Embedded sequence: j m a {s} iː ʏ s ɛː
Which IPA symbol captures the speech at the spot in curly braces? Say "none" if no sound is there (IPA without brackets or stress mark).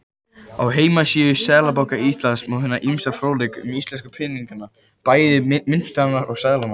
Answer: s